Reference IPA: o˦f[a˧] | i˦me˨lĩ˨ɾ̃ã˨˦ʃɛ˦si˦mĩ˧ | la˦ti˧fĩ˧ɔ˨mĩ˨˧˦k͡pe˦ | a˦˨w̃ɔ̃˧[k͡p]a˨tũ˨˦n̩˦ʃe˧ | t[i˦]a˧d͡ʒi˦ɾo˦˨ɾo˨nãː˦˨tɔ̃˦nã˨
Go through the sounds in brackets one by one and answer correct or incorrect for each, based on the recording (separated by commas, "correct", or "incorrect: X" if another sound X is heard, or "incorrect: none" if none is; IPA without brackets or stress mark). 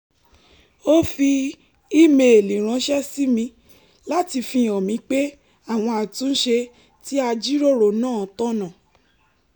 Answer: incorrect: i˧, incorrect: none, correct